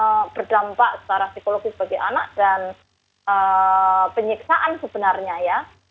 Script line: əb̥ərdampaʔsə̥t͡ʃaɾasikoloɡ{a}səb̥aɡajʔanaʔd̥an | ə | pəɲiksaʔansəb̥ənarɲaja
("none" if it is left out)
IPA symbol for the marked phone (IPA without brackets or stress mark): i